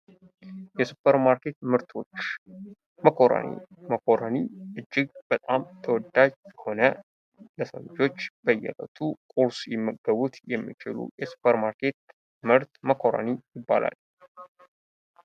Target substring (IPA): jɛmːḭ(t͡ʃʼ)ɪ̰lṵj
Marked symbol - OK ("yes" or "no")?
no